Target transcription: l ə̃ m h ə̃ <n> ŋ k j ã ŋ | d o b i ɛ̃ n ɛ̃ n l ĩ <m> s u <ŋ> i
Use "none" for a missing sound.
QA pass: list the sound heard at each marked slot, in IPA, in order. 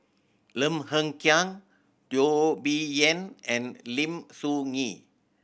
none, m, ŋ

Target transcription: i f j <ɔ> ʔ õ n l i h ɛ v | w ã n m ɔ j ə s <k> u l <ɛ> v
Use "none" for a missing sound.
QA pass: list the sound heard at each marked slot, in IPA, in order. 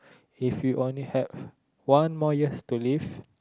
u, t, i

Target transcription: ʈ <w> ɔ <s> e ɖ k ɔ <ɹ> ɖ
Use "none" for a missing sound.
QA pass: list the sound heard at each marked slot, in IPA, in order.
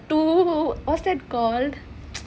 u, s, l

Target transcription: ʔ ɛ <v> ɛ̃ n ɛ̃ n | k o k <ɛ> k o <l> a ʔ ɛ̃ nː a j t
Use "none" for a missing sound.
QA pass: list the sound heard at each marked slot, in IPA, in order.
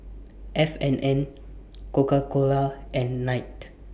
f, a, l

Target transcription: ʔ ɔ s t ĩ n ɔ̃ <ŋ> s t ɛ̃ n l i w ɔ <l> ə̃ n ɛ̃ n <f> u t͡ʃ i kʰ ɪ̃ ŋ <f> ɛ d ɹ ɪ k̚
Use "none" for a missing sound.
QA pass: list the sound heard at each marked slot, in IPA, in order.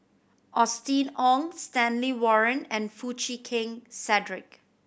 ŋ, ɹ, f, s

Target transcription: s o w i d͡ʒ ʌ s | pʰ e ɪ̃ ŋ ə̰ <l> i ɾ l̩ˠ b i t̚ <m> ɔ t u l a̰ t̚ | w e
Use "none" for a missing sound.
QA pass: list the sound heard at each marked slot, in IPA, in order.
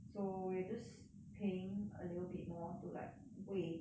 l, m

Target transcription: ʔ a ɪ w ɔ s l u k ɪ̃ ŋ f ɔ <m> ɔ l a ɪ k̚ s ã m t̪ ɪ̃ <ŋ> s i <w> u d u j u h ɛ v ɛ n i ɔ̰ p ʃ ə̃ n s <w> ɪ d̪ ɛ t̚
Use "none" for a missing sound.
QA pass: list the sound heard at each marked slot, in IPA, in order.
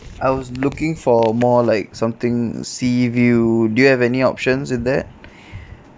m, ŋ, v, w

